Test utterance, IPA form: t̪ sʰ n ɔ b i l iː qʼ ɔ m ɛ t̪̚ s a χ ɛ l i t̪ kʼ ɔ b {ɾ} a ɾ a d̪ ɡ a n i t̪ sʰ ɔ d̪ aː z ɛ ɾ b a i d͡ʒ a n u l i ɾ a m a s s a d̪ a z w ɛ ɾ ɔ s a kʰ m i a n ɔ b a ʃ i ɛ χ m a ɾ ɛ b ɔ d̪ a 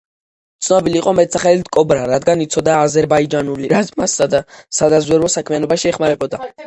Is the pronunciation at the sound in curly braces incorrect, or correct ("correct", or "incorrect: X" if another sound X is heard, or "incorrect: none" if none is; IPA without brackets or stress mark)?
correct